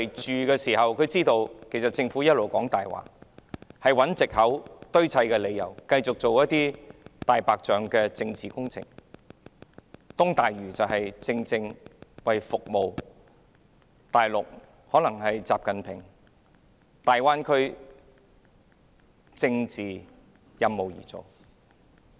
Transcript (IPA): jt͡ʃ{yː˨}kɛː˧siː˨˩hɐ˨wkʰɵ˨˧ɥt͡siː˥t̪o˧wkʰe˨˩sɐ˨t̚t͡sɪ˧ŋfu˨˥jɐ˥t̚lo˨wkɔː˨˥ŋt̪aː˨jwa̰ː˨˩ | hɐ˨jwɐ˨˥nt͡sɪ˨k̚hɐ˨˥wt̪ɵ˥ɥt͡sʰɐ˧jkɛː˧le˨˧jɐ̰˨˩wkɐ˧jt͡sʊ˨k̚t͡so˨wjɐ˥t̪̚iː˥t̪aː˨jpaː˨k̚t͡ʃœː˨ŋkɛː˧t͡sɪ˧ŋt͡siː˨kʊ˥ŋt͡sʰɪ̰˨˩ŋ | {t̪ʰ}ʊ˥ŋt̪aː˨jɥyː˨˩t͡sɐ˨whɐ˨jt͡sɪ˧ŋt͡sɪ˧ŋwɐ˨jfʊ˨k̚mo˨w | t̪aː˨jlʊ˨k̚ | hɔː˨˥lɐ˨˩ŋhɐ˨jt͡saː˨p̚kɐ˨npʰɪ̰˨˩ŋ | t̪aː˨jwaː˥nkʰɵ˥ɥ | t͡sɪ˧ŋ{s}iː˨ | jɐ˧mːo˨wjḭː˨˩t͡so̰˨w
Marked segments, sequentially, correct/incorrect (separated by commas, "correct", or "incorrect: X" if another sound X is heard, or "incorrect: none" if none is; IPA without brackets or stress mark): correct, incorrect: t̪, incorrect: t͡s